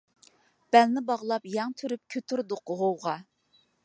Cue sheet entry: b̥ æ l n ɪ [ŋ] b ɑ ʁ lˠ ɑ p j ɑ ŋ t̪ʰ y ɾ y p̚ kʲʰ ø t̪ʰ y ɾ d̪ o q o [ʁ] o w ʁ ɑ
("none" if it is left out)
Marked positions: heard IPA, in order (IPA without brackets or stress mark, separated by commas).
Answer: none, ʁ